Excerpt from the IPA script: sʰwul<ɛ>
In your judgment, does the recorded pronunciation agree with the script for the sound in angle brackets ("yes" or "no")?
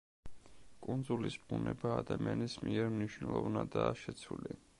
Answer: no